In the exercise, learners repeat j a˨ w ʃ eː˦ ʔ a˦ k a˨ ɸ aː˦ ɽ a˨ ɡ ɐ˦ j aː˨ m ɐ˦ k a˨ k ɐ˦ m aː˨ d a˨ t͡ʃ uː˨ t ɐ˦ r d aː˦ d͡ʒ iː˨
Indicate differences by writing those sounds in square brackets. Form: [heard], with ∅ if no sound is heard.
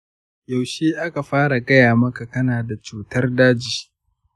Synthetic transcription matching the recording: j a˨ w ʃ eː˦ ʔ a˦ k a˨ ɸ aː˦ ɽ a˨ ɡ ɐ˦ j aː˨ m ɐ˦ k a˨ k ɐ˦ [n] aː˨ d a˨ t͡ʃ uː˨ t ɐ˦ r d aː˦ d͡ʒ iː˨